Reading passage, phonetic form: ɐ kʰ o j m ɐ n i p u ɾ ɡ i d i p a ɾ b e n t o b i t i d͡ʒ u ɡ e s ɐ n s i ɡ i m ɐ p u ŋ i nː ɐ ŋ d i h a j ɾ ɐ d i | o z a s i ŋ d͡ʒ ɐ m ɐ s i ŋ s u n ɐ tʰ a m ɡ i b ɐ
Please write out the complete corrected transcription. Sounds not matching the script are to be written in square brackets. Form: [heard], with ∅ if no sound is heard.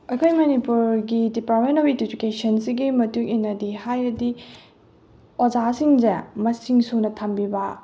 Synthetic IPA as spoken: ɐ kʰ o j m ɐ n i p u ɾ ɡ i d i p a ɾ [m] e n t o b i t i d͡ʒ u [k] e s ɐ n s i ɡ i m ɐ [t] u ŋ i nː ɐ [∅] d i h a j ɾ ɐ d i | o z a s i ŋ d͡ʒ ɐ m ɐ s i ŋ s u n ɐ tʰ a m [b] i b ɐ